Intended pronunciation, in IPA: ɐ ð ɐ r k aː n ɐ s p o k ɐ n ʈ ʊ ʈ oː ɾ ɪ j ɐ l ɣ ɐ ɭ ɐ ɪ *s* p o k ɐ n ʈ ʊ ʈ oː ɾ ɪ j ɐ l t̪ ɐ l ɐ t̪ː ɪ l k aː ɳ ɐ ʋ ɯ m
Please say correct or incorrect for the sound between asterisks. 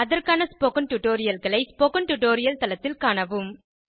correct